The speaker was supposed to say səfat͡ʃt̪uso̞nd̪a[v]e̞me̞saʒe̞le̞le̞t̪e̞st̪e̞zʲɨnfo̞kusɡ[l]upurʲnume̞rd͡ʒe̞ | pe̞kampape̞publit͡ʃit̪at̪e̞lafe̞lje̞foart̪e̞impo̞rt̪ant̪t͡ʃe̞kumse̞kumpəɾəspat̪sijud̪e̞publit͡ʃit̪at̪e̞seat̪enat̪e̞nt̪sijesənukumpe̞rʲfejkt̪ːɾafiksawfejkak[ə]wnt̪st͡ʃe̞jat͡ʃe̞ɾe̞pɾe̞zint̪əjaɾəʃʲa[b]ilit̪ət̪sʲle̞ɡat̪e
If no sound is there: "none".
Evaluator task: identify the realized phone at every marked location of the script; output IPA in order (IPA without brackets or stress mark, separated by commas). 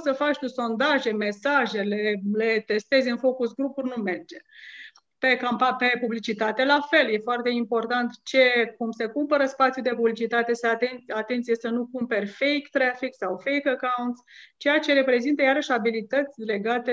ʒ, ɾ, a, b